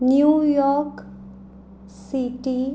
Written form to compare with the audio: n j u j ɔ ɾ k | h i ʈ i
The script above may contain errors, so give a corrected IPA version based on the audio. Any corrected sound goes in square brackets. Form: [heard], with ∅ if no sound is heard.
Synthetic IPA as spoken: n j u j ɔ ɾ k | [s] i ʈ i